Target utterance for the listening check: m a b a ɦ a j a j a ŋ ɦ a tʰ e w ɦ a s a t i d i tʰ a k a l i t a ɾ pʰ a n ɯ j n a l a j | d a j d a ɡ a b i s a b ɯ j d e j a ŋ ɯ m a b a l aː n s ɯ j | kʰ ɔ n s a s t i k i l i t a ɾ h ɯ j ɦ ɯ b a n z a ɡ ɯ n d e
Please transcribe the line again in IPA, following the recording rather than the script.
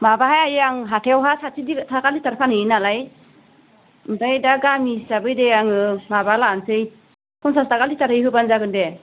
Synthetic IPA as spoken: m a b a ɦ a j a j a ŋ ɦ a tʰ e w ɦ a s a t i d i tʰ a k a l i t a ɾ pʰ a n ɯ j n a l a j | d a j d a ɡ a m i s a b ɯ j d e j a ŋ ɯ m a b a l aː n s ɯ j | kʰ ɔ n s a s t a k a l i t a ɾ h ɯ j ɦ ɯ b a n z a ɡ ɯ n d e